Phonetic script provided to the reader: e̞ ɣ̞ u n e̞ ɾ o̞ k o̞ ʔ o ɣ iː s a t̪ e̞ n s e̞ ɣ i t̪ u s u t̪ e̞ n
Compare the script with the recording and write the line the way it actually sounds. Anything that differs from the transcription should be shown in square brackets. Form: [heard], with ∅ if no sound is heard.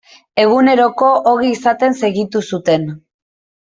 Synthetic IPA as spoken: e̞ ɣ̞ u n e̞ ɾ o̞ k o̞ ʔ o ɣ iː s a t̪ e̞ n s e̞ ɣ i t̪ u s u t̪ e̞ n